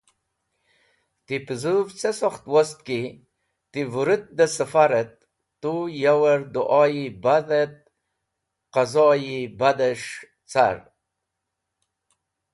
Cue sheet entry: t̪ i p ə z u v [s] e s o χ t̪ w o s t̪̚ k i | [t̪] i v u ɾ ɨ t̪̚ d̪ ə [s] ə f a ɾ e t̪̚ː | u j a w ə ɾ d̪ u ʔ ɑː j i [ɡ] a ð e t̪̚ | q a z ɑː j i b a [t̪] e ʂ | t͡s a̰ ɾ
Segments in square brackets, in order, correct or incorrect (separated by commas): incorrect, correct, correct, incorrect, incorrect